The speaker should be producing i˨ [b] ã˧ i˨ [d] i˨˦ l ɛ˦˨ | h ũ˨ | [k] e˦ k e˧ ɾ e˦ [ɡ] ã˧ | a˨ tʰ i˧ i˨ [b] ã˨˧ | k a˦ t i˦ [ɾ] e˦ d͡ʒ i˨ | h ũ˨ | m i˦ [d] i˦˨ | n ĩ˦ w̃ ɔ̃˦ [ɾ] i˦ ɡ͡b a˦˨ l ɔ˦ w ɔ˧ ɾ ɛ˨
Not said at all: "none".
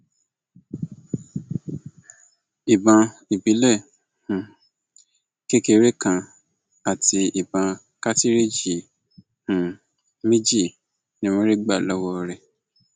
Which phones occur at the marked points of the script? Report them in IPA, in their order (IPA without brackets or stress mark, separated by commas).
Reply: b, b, k, k, b, ɾ, d͡ʒ, ɾ